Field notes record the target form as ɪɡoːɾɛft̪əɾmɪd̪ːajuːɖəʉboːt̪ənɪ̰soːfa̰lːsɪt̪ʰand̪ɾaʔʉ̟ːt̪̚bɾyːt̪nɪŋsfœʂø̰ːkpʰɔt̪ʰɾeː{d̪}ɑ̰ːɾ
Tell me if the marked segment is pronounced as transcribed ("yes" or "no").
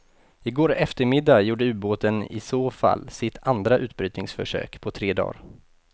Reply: yes